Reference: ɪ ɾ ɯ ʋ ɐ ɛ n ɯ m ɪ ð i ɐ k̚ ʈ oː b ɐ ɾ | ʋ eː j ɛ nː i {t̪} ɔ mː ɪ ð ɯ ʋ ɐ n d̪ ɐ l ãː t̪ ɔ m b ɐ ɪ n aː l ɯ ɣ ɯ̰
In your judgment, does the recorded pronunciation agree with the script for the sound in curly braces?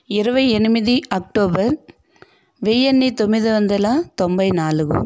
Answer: yes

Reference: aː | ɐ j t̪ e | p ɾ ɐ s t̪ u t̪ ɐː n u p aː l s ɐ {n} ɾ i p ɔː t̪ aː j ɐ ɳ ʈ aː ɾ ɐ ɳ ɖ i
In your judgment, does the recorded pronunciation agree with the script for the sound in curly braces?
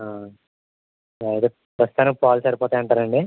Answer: no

